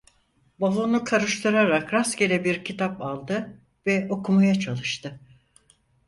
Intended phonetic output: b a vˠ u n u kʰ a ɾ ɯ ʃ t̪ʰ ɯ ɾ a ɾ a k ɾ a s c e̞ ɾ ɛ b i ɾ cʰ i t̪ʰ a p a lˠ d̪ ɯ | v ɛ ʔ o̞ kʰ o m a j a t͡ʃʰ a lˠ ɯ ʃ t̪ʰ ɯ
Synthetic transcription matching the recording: b a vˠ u n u kʰ a ɾ ɯ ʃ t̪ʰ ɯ ɾ a ɾ a k ɾ a s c e̞ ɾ ɛ b i ɾ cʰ i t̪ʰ a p a lˠ d̪ ɯ | v ɛ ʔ o̞ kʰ u m a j a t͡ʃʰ a lˠ ɯ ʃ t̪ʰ ɯ

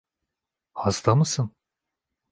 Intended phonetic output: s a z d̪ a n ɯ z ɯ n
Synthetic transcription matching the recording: h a z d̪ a m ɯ s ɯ n

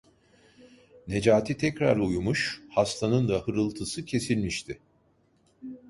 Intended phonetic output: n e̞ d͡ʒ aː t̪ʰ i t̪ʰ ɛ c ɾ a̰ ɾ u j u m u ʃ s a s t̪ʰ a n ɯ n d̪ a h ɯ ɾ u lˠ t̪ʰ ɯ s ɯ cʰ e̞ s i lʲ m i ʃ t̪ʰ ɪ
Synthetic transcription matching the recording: n e̞ d͡ʒ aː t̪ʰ i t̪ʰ ɛ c ɾ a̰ ɾ u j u m u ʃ h a s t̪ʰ a n ɯ n d̪ a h ɯ ɾ ɯ lˠ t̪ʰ ɯ s ɯ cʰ e̞ s i lʲ m i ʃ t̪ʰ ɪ

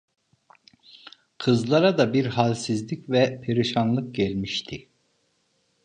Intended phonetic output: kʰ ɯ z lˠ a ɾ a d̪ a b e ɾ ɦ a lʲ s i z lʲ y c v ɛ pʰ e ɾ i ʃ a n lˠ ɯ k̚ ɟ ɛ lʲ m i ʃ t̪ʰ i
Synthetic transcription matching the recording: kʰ ɯ z lˠ a ɾ a d̪ a b i ɾ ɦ a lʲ s i z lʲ i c v ɛ pʰ e ɾ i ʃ a n lˠ ɯ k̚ ɟ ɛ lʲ m i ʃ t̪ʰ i

